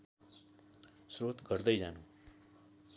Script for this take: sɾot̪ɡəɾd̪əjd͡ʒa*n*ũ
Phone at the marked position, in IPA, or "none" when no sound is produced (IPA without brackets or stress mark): n